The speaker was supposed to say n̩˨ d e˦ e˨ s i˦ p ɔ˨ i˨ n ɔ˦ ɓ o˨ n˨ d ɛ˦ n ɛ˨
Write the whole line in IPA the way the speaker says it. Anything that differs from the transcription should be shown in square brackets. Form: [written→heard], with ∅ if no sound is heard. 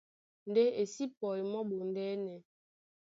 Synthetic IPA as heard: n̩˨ d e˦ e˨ s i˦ p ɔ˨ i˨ [n→m] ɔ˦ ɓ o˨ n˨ d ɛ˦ n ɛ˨